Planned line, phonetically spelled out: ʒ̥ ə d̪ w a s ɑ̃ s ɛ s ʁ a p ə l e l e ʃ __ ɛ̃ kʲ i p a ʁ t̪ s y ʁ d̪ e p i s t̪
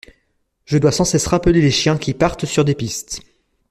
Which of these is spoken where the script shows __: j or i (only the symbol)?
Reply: j